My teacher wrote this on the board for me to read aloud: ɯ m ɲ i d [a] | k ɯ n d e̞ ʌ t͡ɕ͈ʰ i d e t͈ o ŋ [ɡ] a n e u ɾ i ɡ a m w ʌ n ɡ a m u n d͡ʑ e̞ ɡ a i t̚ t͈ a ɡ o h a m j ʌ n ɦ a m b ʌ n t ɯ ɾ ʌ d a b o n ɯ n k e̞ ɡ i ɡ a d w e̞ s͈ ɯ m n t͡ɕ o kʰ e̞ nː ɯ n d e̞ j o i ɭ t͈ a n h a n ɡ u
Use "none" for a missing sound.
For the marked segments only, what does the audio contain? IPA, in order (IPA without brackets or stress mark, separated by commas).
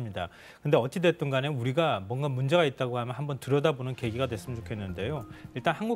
a, ɡ